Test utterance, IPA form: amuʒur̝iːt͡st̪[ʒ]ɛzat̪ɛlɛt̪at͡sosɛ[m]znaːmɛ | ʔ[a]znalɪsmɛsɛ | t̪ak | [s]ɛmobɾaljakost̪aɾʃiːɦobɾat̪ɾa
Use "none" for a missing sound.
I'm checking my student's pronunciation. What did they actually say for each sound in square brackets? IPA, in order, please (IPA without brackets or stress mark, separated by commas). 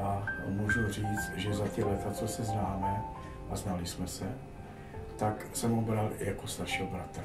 ʒ, none, a, s